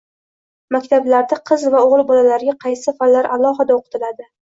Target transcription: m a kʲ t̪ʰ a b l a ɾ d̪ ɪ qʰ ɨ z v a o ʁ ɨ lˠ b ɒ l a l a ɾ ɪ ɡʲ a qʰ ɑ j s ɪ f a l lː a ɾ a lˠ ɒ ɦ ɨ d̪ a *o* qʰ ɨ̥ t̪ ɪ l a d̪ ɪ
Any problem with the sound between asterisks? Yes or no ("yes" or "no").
no